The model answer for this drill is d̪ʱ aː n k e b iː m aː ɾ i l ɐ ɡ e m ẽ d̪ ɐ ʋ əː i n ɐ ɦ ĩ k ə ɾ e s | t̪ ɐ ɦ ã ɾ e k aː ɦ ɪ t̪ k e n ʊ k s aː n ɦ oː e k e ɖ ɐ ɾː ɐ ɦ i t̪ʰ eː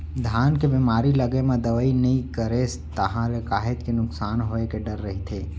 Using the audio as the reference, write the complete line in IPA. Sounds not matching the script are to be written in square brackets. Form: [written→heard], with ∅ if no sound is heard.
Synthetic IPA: d̪ʱ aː n k e b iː m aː ɾ i l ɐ ɡ e m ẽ d̪ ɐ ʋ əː i n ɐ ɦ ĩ k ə ɾ e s | t̪ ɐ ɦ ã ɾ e k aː ɦ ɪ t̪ k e n ʊ k s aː n ɦ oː e k e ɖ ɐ ɾː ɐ ɦ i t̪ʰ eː